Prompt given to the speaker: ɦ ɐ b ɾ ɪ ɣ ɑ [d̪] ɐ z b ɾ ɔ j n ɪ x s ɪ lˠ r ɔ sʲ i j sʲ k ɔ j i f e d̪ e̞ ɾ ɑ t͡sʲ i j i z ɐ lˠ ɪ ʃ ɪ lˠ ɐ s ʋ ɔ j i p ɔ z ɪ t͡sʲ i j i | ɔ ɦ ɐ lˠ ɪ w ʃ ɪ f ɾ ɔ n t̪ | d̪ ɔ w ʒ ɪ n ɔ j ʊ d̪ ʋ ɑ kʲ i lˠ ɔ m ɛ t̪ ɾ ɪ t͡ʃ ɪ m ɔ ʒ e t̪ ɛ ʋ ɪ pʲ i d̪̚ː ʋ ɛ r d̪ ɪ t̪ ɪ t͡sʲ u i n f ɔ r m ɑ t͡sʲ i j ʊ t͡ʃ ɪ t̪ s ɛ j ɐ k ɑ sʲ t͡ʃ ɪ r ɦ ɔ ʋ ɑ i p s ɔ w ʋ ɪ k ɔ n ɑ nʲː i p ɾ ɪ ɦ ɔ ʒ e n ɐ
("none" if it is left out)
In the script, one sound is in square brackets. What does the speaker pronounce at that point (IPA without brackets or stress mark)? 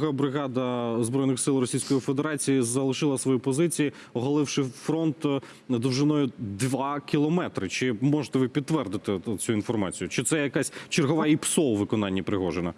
d̪